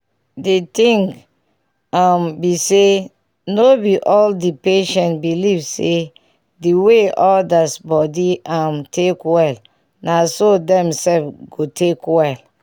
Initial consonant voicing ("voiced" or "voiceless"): voiced